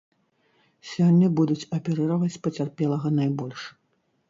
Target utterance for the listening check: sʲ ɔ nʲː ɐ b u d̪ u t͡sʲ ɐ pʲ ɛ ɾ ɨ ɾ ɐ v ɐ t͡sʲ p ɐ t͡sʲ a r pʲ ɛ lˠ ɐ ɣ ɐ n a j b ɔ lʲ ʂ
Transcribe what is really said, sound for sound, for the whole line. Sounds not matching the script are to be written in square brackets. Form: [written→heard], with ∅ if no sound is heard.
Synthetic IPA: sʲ ɔ nʲː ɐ b u d̪ u t͡sʲ ɐ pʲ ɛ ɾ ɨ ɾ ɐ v ɐ t͡sʲ p ɐ t͡sʲ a r pʲ ɛ lˠ ɐ ɣ ɐ n a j b ɔ lʲ ʂ